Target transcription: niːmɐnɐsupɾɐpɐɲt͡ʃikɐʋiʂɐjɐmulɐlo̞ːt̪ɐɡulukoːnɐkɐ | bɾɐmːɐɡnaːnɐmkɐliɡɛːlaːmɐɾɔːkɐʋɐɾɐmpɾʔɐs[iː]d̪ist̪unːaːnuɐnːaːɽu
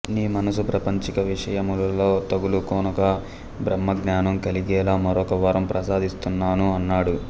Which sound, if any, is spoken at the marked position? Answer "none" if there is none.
aː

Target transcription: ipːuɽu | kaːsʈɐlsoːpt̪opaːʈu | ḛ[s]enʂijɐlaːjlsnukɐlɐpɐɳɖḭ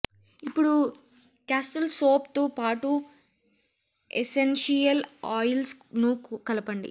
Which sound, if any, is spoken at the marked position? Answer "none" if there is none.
s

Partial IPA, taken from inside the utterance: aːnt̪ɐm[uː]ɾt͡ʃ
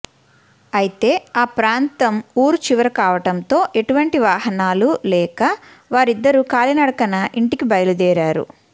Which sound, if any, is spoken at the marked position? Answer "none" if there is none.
uː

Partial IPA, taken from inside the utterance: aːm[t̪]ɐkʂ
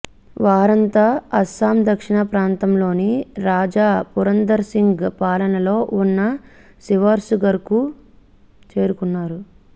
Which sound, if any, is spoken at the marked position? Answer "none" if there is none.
d̪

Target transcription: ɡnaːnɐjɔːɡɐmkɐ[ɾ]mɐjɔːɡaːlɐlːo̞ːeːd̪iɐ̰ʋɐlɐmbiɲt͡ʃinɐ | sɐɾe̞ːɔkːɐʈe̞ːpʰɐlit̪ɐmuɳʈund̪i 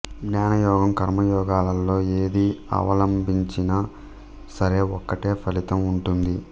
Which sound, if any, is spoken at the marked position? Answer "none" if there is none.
ɾ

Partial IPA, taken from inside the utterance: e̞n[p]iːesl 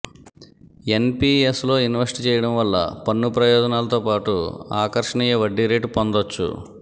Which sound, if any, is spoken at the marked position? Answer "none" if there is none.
p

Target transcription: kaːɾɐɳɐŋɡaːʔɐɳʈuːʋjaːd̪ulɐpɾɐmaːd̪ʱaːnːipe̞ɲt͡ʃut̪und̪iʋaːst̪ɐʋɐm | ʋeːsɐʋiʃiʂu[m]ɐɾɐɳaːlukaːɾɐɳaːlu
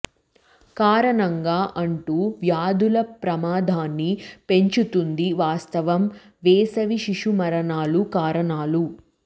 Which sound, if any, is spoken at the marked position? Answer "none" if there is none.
m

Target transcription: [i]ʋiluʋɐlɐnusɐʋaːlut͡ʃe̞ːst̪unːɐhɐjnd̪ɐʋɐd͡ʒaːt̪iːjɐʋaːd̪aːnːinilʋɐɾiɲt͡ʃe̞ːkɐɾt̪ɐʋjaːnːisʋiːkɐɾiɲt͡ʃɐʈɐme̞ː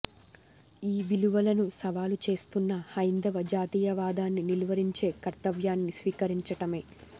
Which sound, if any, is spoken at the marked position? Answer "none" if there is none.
iː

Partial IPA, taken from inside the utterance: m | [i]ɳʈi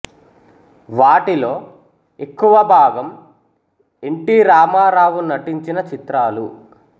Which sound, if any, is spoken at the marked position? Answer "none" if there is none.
e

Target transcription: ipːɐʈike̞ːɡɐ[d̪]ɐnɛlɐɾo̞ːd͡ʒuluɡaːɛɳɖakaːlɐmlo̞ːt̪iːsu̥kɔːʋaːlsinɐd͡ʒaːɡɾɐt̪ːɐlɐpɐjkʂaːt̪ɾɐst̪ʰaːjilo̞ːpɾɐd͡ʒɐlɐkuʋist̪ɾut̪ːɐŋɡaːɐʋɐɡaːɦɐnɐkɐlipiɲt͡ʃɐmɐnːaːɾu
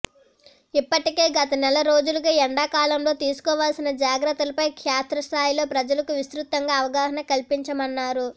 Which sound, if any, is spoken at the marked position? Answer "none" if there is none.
t̪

